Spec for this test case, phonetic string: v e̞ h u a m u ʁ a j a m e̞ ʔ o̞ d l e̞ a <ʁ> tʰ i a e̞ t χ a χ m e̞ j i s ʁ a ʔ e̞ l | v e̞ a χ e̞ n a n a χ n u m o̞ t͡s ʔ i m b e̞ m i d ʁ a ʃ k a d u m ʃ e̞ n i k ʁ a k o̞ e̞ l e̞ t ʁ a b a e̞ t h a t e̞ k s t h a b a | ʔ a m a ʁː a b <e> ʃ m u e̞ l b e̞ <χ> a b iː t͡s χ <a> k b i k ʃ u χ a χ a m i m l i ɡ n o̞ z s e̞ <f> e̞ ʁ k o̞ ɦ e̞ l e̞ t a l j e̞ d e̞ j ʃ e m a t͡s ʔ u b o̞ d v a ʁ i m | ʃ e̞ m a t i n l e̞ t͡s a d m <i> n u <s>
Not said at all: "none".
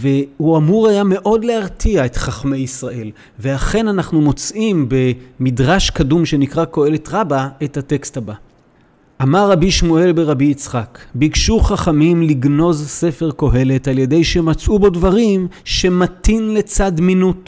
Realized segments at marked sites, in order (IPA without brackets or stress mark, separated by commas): ʁ, i, ʁ, a, f, i, t